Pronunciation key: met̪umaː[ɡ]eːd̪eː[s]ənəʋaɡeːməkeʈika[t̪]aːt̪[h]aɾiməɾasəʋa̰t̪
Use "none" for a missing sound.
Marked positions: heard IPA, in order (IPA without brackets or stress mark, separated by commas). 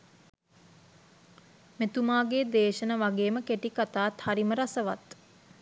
ɡ, ʃ, t̪, h